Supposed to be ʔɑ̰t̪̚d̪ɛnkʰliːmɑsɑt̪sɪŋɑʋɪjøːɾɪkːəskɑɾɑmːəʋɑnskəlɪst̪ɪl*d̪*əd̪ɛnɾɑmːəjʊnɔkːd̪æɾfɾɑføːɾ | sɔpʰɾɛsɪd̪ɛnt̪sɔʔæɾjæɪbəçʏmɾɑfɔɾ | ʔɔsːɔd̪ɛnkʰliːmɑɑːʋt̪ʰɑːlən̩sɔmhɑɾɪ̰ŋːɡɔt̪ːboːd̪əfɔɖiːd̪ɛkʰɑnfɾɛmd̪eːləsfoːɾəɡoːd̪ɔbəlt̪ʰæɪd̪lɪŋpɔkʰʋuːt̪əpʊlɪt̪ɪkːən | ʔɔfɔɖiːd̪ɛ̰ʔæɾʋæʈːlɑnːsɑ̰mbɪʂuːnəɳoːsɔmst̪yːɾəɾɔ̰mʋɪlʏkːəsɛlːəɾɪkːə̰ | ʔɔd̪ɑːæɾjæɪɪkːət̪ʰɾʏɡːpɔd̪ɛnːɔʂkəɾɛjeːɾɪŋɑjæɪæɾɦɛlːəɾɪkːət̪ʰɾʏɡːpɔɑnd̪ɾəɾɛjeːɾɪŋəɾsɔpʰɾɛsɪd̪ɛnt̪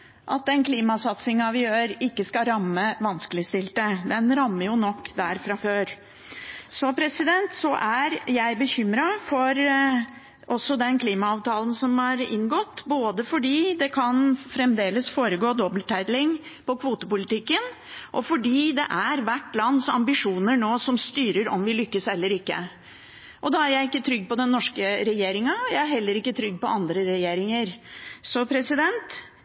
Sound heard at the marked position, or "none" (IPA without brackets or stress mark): t̪